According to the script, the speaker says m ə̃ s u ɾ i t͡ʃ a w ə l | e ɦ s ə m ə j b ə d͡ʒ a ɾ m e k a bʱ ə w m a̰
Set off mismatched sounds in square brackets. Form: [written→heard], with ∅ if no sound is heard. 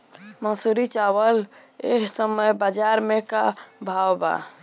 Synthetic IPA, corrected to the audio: m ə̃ s u ɾ i t͡ʃ a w ə l | e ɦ s ə m ə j b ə d͡ʒ a ɾ m e k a bʱ [ə→a] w [m→b] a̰